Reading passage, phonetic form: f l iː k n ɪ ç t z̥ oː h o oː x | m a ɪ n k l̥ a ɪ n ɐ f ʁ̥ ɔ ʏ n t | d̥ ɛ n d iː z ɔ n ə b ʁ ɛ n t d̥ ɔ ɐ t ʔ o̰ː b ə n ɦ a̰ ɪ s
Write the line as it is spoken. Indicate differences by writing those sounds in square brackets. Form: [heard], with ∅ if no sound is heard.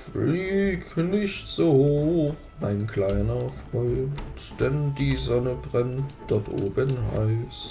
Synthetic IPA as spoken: f l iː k n ɪ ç t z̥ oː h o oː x | m a ɪ n k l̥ a ɪ n ɐ f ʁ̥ ɔ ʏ n t | d̥ ɛ n d iː z ɔ n ə b ʁ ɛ n t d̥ ɔ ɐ t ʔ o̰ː b ə n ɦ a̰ ɪ s